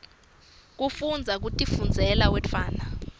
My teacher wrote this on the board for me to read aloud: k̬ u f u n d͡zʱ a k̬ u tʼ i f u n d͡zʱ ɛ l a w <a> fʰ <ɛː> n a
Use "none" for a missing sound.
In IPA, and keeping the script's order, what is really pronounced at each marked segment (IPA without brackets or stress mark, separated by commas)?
ɛ, aː